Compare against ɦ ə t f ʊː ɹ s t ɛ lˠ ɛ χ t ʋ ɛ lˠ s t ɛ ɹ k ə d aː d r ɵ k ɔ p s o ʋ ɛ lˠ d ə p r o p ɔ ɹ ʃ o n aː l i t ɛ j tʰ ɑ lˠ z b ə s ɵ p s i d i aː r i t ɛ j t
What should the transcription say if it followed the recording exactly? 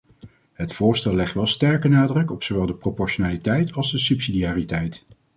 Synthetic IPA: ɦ ə t f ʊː ɹ s t ɛ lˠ ɛ χ t ʋ ɛ lˠ s t ɛ ɹ k ə n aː d r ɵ k ɔ p s o ʋ ɛ lˠ d ə p r o p ɔ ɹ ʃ o n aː l i t ɛ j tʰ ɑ lˠ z d ə s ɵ p s i d i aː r i t ɛ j t